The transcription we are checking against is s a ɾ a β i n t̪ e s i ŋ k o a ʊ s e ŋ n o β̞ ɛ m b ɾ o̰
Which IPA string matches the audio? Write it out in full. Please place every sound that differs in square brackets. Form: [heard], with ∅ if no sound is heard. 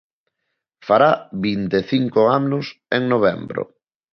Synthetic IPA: [f] a ɾ a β i n t̪ e [θ] i ŋ k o a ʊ s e ŋ n o β̞ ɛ m b ɾ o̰